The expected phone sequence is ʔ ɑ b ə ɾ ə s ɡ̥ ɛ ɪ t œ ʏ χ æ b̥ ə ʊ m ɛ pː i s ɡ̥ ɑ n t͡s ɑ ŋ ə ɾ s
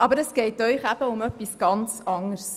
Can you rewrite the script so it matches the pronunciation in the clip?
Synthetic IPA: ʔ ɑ b ə ɾ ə s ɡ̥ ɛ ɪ t œ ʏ χ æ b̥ ə ʊ m œ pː i s ɡ̥ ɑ n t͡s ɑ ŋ ə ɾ s